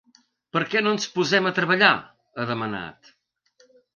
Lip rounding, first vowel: unrounded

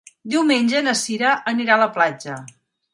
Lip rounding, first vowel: unrounded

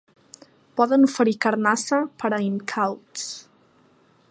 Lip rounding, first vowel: rounded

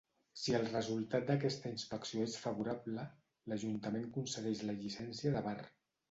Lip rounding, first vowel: unrounded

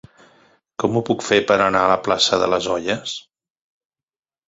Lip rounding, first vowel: rounded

